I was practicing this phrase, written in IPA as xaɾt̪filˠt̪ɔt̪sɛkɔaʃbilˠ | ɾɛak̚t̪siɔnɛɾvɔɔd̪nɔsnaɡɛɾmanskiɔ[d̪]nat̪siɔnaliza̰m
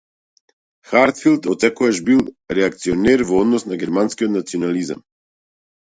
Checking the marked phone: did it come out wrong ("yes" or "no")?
yes